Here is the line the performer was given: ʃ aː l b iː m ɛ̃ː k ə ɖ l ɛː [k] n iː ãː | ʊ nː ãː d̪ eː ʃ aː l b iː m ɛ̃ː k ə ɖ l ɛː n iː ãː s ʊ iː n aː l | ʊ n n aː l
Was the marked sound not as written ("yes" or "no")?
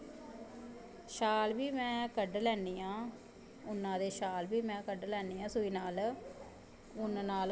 yes